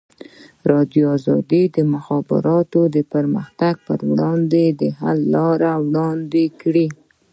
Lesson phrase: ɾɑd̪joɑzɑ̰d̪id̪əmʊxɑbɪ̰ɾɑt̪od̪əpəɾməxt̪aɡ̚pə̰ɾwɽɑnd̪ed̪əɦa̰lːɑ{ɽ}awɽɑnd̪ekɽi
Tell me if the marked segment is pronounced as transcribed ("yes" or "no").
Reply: no